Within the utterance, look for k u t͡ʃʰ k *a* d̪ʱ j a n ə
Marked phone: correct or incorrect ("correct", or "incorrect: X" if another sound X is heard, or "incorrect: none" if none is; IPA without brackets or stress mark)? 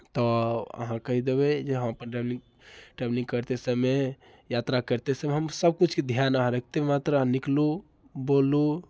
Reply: incorrect: e